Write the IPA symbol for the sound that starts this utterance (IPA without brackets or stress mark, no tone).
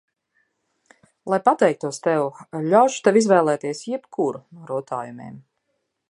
lˠ